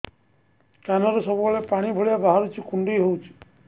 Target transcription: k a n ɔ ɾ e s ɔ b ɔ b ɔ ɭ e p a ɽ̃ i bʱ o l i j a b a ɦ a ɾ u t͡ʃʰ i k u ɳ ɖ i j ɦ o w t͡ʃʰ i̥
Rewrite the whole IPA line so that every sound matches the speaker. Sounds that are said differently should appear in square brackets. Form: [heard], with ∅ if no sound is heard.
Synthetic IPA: k a n ɔ ɾ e s ɔ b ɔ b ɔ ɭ e p a ɽ̃ i bʱ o [ɭ] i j a b a ɦ a ɾ u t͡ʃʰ i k u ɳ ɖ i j ɦ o w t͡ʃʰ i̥